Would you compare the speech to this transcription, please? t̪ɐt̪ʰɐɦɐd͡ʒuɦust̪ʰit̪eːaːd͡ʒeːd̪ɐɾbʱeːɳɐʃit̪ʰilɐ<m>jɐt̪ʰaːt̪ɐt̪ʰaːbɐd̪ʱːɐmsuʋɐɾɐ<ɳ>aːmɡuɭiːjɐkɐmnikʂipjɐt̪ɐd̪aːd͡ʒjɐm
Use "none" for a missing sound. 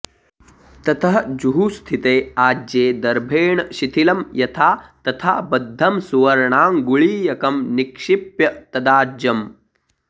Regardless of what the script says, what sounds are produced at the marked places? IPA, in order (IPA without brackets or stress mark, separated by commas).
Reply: m, ɳ